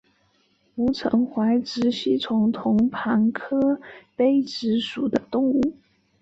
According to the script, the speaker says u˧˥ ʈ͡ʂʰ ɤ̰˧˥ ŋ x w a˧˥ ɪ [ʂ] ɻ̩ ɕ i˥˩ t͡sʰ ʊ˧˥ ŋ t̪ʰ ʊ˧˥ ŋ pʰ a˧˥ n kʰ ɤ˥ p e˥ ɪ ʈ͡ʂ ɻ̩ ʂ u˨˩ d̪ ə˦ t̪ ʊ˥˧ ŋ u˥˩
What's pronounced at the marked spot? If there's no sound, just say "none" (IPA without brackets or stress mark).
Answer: ʈ͡ʂ